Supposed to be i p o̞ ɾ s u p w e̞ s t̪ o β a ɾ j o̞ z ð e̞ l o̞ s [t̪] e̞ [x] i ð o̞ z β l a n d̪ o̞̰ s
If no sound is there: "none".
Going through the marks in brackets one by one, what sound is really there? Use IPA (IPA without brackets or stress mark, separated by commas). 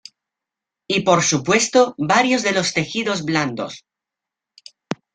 t̪, x